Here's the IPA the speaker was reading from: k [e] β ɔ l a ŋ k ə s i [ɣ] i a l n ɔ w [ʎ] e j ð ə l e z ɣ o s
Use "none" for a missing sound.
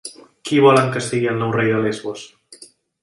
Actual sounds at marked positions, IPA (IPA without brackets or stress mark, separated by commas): i, ɣ, r